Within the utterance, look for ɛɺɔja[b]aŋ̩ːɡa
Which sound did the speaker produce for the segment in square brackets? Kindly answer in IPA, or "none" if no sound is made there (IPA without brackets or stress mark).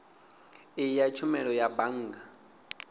b